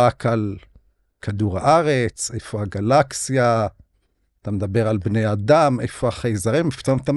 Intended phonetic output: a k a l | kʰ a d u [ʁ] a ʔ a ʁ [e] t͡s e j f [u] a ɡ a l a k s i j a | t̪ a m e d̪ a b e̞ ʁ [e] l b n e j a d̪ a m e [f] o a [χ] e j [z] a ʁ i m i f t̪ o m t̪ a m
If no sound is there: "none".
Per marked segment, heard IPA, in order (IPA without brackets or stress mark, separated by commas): ʁ, e, o, a, f, χ, z